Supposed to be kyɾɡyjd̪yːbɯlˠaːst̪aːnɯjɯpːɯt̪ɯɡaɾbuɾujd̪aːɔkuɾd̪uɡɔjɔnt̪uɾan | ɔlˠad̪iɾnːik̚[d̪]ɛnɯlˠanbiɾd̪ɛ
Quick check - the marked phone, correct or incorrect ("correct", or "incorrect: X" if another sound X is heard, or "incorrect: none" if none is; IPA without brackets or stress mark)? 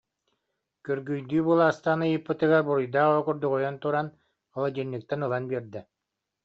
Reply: incorrect: t̪